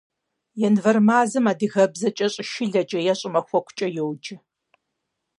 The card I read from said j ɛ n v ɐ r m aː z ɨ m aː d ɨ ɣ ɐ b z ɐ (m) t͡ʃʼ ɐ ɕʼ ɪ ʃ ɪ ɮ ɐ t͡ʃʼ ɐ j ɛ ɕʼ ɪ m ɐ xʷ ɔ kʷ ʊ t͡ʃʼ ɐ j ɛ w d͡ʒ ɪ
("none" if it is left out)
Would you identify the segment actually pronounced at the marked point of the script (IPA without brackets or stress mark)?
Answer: none